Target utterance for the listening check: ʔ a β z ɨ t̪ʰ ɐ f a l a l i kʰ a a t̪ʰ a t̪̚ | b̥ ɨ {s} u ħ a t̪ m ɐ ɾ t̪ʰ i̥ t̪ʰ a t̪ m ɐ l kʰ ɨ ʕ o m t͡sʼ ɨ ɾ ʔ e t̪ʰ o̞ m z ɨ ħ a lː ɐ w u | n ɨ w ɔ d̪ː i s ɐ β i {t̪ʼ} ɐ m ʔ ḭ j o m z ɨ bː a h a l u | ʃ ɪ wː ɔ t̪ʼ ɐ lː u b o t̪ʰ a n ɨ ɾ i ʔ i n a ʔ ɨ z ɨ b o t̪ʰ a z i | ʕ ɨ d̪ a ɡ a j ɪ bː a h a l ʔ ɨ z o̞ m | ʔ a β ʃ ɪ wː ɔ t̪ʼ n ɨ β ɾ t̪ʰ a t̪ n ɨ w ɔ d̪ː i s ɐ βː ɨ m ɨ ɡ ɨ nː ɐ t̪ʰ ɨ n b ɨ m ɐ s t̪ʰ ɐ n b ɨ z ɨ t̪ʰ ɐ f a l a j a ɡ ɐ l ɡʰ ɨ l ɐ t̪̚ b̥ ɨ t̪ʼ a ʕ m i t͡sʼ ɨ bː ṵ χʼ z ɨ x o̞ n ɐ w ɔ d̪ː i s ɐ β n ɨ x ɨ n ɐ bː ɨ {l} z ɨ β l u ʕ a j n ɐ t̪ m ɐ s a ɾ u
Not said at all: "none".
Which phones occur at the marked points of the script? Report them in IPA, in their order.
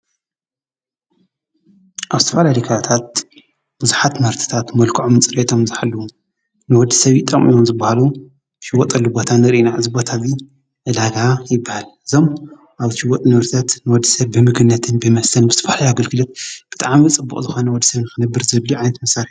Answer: z, t̪ʼ, ɾ

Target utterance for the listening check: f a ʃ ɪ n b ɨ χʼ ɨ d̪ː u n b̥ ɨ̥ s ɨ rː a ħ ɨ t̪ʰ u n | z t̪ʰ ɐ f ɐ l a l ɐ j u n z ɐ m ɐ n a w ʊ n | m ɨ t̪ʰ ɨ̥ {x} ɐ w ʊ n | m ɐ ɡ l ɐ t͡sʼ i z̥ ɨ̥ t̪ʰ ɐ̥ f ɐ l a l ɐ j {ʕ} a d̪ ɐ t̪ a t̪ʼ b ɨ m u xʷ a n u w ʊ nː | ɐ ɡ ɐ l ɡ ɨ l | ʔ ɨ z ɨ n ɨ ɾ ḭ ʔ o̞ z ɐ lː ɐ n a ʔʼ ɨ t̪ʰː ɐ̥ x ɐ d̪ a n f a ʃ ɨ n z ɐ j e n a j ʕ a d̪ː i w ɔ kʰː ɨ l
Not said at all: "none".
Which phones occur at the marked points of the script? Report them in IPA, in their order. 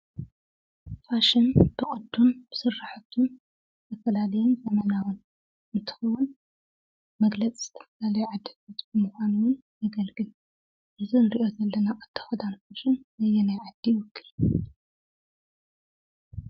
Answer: x, ʕ

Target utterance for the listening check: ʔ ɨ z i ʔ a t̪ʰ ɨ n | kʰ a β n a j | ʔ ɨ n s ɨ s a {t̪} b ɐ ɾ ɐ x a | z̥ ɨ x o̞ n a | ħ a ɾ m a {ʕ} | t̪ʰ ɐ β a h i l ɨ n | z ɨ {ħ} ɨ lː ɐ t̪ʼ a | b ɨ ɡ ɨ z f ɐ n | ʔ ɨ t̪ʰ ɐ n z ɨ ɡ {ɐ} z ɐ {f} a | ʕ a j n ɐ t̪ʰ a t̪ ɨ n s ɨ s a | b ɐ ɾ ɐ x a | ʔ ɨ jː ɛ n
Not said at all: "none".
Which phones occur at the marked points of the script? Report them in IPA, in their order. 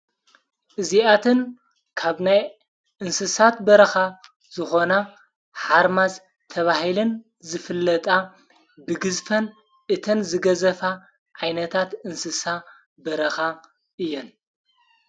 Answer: t̪, z, f, ɐ, f

